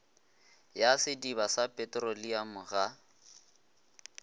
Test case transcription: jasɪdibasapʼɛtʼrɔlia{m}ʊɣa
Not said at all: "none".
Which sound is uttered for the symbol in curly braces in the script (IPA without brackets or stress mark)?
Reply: m